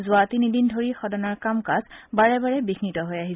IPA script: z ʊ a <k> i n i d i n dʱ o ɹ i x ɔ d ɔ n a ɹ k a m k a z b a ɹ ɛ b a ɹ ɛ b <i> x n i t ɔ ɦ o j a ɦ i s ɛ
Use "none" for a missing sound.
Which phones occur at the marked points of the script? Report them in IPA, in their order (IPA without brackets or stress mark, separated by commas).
t, i